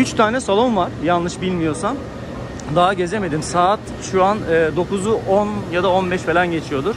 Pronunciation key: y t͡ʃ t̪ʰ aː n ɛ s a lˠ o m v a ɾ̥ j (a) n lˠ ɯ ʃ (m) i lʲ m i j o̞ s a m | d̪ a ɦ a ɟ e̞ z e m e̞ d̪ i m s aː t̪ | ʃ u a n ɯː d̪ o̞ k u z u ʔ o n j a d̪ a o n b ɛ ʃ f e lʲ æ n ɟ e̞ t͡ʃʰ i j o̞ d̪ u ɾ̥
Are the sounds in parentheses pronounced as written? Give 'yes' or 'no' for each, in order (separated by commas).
yes, no